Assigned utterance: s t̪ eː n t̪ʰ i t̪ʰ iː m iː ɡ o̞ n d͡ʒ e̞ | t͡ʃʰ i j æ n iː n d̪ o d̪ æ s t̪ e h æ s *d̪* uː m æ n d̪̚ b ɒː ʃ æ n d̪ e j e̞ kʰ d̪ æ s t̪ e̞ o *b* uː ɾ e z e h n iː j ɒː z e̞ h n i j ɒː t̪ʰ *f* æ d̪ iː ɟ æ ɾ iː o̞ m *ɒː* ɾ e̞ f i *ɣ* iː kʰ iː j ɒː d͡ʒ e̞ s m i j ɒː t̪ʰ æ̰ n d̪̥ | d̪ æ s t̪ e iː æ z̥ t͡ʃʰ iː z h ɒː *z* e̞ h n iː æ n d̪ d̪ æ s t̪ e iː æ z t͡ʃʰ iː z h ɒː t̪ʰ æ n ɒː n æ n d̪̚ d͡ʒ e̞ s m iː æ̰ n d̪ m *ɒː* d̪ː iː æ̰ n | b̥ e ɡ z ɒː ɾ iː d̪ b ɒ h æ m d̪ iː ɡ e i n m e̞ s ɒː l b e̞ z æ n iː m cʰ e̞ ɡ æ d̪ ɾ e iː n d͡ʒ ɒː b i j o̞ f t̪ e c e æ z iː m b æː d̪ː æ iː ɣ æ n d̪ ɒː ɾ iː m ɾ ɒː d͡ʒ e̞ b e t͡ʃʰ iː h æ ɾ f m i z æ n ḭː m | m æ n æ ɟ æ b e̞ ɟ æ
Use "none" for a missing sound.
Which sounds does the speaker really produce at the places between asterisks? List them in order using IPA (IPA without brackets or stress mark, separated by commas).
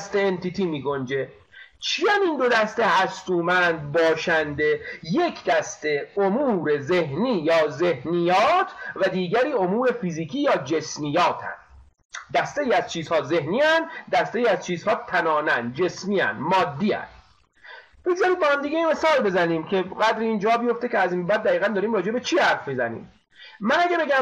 t̪, m, v, uː, z, z, ɒː